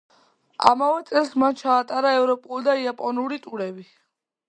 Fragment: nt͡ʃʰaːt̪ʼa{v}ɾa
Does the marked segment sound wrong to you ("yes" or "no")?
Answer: yes